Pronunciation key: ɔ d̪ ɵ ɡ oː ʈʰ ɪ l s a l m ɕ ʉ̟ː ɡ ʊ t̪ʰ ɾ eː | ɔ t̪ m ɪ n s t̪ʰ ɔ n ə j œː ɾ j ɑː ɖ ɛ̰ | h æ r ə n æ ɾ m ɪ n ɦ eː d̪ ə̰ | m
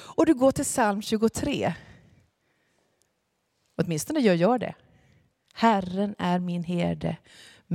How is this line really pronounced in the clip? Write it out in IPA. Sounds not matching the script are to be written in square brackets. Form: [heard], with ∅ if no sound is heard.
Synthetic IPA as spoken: ɔ d̪ ɵ ɡ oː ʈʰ ɪ l s a l m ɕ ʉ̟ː ɡ ʊ t̪ʰ ɾ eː | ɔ t̪ m ɪ n s [t̪] ɔ n ə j œː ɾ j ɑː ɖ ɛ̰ | h æ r ə n æ ɾ m ɪ n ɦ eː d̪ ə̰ | m